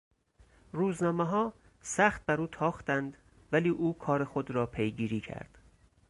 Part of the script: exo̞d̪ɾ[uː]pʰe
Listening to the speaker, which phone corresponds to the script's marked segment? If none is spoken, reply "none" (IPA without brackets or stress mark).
ɒː